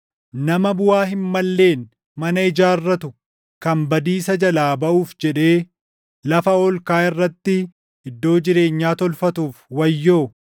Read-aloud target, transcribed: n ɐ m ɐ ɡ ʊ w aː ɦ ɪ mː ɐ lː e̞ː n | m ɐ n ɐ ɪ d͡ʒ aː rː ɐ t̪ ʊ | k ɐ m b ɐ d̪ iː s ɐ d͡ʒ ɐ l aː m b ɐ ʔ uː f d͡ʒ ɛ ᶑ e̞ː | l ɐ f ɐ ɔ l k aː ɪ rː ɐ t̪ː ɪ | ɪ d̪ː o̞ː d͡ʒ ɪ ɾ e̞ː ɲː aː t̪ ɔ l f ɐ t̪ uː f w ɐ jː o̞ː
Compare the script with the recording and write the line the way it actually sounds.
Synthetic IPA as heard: n ɐ m ɐ b ʊ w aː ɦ ɪ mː ɐ lː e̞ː n | m ɐ n ɐ ɪ d͡ʒ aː rː ɐ t̪ ʊ | k ɐ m b ɐ d̪ iː s ɐ d͡ʒ ɐ l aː b ɐ ʔ uː f d͡ʒ ɛ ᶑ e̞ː | l ɐ f ɐ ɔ l k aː ɪ rː ɐ t̪ː ɪ | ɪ d̪ː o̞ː d͡ʒ ɪ ɾ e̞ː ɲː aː t̪ ɔ l f ɐ t̪ uː f w ɐ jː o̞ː